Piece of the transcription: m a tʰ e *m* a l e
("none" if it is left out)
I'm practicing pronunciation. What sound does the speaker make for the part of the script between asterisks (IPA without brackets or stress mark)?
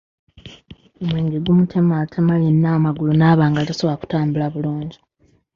m